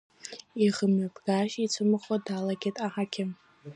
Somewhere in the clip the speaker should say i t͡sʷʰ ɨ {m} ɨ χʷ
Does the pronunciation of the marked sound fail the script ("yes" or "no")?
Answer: no